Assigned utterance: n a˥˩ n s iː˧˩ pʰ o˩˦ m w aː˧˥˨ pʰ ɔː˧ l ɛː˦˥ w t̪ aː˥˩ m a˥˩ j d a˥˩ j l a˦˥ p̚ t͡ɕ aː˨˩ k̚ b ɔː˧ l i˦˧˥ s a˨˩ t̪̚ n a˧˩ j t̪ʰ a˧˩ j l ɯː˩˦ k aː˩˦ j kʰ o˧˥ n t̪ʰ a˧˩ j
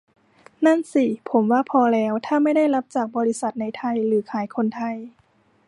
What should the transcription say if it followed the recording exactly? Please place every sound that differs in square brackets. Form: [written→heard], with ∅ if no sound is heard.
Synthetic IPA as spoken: n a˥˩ n s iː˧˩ pʰ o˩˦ m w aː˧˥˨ pʰ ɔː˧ l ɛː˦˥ w [t̪→t̪ʰ] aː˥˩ m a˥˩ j d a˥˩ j l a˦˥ p̚ t͡ɕ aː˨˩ k̚ b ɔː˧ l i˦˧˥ s a˨˩ t̪̚ n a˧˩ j t̪ʰ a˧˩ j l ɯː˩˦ [k→kʰ] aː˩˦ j kʰ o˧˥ n t̪ʰ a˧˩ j